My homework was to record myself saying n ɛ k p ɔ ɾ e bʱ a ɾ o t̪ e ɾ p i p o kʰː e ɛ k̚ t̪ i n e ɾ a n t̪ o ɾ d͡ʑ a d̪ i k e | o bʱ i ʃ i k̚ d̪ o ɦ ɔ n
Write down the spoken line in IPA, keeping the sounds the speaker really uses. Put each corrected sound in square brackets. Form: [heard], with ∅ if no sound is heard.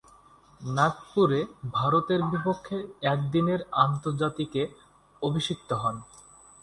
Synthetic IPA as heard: n [a] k p [u] ɾ e bʱ a ɾ o t̪ e ɾ [b] i p o kʰː e ɛ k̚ [d̪] i n e ɾ a n t̪ o ɾ d͡ʑ a [t̪] i k e | o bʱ i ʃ i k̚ [t̪] o ɦ ɔ n